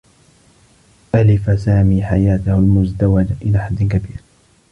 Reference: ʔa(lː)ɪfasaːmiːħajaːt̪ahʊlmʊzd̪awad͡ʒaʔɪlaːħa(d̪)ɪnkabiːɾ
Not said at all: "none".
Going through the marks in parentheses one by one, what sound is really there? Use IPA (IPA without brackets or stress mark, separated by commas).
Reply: l, d̪ː